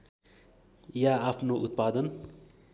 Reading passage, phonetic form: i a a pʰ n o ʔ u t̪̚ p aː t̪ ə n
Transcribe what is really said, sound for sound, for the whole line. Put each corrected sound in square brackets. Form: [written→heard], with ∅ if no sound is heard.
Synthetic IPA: [i→j] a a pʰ n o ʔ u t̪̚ p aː [t̪→d̪] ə n